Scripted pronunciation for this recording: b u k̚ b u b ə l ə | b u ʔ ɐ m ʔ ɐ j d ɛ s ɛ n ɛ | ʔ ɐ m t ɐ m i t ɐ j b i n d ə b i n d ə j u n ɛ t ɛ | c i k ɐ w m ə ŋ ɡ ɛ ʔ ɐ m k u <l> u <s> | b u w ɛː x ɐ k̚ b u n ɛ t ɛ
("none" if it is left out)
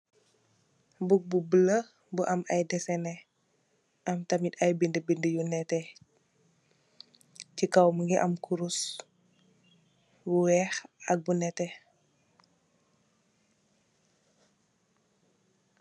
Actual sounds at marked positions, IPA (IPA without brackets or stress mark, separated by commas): ɾ, s